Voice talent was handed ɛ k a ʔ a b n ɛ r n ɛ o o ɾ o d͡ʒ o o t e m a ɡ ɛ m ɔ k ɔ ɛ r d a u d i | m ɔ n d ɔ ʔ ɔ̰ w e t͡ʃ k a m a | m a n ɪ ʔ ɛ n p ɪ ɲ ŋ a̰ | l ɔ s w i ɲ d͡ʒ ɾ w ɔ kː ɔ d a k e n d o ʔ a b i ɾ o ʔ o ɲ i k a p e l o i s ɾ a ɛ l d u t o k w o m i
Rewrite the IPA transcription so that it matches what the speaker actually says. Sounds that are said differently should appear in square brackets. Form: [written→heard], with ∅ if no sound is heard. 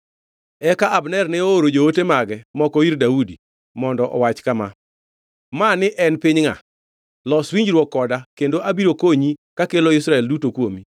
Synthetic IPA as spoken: ɛ k a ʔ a b n ɛ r n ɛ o o ɾ o d͡ʒ o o t e m a ɡ ɛ m ɔ k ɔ [ɛ→i] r d a u d i | m ɔ n d ɔ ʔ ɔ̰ w [e→a] t͡ʃ k a m a | m a n ɪ ʔ ɛ n p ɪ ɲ ŋ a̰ | l ɔ s w i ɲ d͡ʒ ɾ w ɔ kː ɔ d a k e n d o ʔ a b i ɾ o [ʔ→k] o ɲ i k a [p→k] e l o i s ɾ a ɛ l d u t o k w o m i